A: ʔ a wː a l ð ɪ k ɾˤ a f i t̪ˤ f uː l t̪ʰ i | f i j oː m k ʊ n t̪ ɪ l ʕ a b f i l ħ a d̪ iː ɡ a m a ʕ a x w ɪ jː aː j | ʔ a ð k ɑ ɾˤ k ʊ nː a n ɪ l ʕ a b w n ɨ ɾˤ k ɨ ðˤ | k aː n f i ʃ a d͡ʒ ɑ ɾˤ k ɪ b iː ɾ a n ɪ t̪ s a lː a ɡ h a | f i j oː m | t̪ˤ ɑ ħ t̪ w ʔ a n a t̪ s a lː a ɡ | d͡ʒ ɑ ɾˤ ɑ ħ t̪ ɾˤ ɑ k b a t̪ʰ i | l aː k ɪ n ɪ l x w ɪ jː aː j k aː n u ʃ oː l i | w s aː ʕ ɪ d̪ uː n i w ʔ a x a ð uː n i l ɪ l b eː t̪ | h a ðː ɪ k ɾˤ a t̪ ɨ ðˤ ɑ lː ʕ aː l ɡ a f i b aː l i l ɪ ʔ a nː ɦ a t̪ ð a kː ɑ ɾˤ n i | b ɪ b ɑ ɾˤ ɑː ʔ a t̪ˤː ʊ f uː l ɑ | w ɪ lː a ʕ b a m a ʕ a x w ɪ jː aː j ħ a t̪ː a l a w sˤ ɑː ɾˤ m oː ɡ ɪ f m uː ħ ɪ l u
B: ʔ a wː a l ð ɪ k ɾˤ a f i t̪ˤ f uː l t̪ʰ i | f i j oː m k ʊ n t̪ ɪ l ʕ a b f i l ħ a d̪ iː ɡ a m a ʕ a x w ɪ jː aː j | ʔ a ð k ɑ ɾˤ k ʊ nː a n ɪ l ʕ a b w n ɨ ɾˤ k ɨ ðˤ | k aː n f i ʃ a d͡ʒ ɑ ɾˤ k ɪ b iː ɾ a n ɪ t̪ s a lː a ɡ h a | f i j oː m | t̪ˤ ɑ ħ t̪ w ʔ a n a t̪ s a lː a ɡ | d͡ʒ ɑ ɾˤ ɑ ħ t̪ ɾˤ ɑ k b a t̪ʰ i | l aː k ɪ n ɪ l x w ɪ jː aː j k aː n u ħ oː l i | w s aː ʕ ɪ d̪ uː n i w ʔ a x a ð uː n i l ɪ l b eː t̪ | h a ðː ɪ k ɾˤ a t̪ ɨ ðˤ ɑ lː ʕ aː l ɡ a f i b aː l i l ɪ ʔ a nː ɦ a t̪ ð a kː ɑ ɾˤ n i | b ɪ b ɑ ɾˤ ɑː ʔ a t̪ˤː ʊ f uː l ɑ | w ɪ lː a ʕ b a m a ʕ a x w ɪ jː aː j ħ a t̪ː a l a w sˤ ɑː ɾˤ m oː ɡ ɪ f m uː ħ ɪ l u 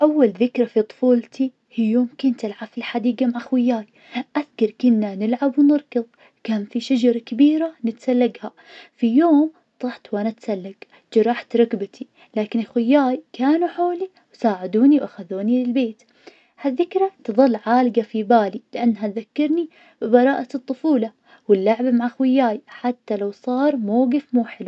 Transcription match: B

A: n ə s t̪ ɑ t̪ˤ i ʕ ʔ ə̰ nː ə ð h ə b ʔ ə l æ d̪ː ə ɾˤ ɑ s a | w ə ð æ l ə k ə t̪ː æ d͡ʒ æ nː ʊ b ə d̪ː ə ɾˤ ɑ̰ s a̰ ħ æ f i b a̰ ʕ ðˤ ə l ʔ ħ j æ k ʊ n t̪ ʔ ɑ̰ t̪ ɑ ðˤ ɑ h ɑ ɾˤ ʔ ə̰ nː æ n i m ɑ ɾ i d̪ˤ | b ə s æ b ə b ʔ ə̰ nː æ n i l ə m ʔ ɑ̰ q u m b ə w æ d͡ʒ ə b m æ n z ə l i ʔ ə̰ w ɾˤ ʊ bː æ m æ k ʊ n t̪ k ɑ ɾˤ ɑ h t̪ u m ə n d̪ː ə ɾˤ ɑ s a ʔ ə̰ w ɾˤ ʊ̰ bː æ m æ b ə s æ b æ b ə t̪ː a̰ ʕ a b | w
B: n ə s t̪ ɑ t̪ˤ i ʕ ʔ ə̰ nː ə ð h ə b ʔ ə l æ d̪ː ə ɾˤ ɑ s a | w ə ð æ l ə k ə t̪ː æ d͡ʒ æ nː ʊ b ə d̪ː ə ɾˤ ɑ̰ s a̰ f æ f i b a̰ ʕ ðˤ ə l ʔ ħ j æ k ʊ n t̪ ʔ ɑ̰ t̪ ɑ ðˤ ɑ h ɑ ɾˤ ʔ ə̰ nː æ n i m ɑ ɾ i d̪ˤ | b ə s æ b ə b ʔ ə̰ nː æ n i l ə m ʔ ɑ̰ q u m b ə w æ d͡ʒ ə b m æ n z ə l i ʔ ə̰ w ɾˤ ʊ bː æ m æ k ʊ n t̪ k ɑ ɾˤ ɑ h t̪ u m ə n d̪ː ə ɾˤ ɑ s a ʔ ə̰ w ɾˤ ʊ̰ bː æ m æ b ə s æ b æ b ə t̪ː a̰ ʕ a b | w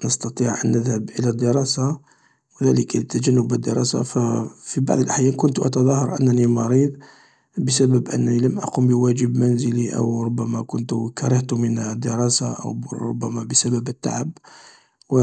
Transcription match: B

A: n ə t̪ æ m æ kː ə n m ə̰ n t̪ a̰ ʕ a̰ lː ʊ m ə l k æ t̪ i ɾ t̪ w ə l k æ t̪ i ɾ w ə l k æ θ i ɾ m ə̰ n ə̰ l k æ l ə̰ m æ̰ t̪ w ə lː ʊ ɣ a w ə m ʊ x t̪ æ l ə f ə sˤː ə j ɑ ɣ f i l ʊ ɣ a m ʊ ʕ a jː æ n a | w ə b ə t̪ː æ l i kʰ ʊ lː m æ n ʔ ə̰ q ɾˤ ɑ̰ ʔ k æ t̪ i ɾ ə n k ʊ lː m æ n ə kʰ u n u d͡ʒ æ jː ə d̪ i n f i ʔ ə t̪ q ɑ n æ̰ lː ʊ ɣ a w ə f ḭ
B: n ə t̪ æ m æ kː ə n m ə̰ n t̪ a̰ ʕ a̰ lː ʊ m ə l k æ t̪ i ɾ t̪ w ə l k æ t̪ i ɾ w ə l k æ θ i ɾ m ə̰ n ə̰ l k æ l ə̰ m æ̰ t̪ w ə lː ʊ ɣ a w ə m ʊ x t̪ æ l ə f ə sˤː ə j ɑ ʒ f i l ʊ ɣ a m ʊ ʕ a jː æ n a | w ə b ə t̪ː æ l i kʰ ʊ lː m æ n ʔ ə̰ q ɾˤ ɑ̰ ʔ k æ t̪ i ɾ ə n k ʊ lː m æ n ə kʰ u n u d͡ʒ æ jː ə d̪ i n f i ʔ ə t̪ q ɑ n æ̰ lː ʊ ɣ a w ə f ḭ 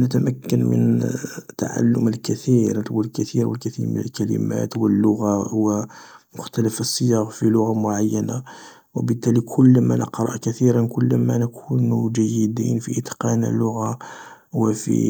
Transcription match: A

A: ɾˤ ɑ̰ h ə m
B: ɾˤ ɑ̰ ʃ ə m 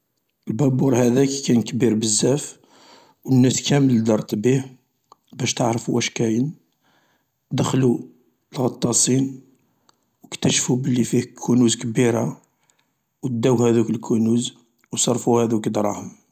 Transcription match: A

